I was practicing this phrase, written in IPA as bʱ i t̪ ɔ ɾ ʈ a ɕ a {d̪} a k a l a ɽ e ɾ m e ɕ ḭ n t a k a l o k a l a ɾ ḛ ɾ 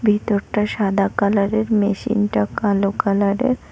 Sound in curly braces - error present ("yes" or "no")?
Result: no